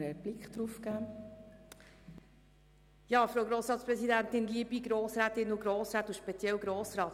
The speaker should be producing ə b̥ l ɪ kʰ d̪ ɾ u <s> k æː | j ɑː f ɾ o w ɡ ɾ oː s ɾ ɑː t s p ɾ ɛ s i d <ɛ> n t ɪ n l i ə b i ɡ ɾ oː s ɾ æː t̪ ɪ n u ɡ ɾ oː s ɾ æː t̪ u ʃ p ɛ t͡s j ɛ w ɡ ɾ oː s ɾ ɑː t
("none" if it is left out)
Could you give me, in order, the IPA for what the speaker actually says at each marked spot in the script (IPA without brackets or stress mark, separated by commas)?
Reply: f, æ